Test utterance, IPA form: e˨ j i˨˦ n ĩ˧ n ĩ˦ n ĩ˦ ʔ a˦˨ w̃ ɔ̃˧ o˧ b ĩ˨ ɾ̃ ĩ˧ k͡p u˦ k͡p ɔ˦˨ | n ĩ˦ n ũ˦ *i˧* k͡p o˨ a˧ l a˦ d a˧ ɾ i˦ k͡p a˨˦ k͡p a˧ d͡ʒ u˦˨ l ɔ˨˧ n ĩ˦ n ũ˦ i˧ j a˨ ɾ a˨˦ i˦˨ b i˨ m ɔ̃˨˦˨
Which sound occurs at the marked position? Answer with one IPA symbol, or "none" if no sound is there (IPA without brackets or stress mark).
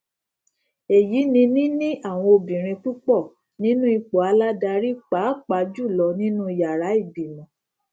i˧